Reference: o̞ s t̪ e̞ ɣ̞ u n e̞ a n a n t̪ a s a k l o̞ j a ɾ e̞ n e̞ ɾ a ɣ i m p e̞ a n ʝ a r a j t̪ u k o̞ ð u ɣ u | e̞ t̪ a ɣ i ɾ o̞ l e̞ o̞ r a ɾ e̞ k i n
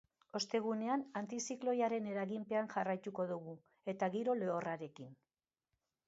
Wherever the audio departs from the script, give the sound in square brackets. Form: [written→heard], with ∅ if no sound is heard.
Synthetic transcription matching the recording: o̞ s t̪ e̞ ɣ̞ u n e̞ a n a n t̪ [a→i] s [a→i] k l o̞ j a ɾ e̞ n e̞ ɾ a ɣ i m p e̞ a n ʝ a r a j t̪ u k o̞ ð u ɣ u | e̞ t̪ a ɣ i ɾ o̞ l e̞ o̞ r a ɾ e̞ k i n